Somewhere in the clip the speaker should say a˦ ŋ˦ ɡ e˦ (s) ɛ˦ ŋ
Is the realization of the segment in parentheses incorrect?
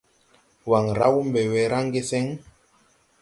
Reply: no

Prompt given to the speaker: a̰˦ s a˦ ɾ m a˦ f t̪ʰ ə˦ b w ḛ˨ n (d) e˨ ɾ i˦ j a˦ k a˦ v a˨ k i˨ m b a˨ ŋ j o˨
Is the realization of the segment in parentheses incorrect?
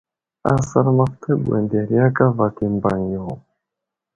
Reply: no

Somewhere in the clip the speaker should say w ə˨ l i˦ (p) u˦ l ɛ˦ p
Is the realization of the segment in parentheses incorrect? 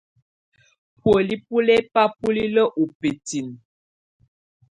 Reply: no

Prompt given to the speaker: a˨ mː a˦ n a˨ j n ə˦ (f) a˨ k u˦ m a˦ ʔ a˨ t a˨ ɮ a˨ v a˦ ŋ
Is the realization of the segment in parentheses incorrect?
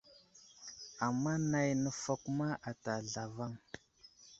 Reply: no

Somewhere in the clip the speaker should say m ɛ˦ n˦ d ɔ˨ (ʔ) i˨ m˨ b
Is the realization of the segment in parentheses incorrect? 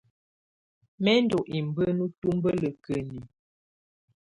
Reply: no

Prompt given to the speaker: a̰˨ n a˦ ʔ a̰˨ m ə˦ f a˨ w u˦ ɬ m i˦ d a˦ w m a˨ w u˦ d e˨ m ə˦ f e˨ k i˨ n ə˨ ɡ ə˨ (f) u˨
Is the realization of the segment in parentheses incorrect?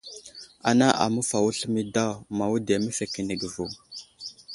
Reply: yes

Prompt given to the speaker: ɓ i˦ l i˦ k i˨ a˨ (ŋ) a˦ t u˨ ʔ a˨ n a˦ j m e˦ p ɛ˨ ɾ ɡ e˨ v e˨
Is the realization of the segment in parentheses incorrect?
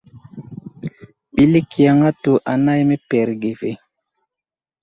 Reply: no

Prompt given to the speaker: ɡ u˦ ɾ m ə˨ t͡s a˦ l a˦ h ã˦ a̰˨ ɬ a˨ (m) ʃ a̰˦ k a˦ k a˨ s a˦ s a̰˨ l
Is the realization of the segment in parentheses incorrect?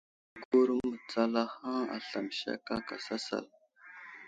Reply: no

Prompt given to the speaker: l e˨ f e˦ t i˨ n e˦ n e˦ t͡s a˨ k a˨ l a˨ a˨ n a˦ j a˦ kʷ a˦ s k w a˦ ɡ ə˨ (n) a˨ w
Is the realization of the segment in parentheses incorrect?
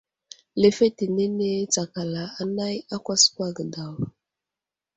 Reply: yes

